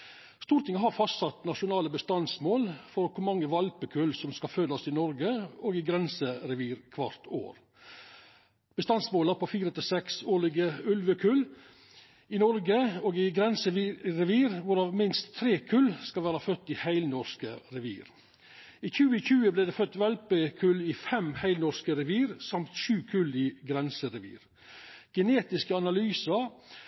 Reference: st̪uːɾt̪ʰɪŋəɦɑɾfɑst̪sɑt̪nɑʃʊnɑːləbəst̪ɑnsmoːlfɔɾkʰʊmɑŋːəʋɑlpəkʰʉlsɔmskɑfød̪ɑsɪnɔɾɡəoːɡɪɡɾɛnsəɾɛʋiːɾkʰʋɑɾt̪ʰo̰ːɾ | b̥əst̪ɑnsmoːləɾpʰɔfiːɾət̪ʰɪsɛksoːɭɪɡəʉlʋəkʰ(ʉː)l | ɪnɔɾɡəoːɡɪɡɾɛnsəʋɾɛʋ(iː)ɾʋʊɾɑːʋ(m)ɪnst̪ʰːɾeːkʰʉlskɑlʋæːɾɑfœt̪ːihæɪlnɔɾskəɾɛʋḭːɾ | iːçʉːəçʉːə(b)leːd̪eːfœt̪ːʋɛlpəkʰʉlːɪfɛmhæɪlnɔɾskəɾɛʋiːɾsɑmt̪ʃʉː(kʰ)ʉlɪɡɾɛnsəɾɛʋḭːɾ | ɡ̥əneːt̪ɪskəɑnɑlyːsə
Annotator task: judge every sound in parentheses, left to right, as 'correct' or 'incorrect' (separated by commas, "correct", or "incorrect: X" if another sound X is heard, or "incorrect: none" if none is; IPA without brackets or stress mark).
incorrect: ʉ, correct, correct, correct, correct